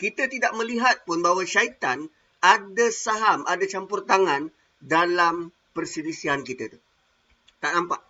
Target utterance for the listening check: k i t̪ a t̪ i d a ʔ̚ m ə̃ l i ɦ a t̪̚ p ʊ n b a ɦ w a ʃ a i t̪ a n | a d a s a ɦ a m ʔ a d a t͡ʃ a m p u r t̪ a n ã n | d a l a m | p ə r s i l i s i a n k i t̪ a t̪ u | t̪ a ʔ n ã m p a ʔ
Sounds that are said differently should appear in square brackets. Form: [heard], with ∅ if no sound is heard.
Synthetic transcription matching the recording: k i t̪ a t̪ i d a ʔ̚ m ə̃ l i ɦ a t̪̚ p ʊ n b a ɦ w a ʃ a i t̪ a n | a d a s a ɦ a m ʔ a d a t͡ʃ a m p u r t̪ a [ŋ] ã n | d a l a m | p ə r s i l i s i a n k i t̪ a t̪ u | t̪ a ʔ n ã m p a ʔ